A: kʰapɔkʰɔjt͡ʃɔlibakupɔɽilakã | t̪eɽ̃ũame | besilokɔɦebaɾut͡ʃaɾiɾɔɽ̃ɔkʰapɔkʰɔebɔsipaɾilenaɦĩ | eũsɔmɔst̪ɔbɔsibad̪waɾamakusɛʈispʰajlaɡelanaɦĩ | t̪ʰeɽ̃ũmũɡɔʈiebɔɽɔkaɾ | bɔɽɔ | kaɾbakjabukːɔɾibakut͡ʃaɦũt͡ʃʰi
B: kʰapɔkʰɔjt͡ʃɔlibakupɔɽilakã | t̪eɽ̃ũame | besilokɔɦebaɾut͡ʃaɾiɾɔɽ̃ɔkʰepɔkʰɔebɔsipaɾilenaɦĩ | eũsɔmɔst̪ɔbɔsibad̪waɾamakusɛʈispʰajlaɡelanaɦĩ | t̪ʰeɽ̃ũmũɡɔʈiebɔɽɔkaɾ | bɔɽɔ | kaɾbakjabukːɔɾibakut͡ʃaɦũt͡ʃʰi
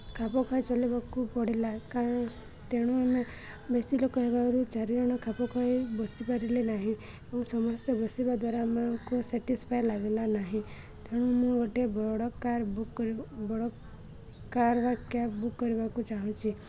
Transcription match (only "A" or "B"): A